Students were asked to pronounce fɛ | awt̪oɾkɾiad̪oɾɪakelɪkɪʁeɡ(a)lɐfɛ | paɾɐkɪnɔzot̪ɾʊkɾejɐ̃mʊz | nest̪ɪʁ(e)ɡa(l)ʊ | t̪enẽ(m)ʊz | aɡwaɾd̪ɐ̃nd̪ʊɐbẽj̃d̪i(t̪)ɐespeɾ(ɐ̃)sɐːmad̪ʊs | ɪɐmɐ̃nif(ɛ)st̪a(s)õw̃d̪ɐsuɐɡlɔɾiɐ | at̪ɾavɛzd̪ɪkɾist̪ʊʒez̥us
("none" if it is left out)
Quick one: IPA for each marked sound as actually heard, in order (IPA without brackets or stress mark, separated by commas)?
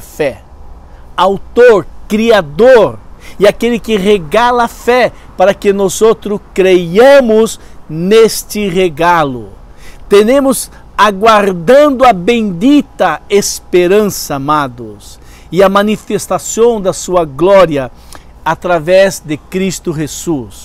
a, e, l, m, t̪, ɐ̃, e, s